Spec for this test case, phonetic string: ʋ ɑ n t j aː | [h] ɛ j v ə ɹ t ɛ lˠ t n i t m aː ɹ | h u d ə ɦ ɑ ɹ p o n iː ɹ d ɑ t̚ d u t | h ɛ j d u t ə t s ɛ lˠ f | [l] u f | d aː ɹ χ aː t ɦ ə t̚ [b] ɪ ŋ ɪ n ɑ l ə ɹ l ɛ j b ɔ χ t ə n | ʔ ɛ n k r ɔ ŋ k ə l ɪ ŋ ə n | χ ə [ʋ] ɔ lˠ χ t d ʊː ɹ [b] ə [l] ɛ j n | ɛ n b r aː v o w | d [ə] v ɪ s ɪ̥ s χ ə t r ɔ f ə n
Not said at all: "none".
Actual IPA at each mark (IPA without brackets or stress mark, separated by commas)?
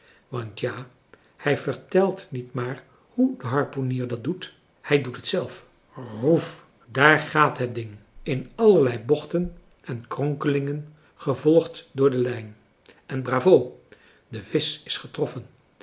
h, r, d, v, d, l, ə